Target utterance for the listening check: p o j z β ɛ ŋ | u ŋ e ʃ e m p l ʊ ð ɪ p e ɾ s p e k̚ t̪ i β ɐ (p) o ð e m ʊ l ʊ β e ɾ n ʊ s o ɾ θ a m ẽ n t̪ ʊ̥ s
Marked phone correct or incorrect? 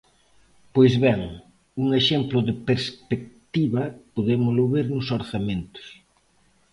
correct